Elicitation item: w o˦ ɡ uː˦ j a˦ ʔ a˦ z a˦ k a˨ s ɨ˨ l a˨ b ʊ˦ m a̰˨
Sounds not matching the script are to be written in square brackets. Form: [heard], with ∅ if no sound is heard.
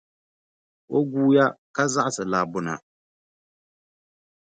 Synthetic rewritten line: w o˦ ɡ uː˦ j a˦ [k] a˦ z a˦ [ʔ] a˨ s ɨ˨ l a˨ b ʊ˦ [n] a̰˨